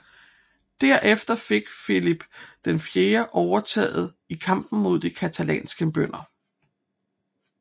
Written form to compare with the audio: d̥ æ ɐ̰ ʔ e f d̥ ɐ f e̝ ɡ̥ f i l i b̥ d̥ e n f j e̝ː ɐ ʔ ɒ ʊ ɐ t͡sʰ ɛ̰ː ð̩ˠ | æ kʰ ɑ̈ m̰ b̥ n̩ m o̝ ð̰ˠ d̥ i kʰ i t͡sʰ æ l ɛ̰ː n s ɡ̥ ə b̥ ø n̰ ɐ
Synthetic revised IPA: d̥ æ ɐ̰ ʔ e f d̥ ɐ f e̝ ɡ̥ f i l i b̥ d̥ e n f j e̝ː ɐ ʔ ɒ ʊ ɐ t͡sʰ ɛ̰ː ð̩ˠ | i kʰ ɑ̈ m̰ b̥ n̩ m o̝ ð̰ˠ d̥ i kʰ æ t͡sʰ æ l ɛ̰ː n s ɡ̥ ə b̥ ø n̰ ɐ